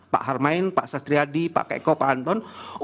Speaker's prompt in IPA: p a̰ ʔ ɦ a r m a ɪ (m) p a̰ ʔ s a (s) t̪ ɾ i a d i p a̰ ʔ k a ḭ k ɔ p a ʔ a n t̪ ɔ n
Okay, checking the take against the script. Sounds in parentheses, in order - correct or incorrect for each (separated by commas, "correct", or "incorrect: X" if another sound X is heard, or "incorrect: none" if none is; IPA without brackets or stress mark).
incorrect: n, correct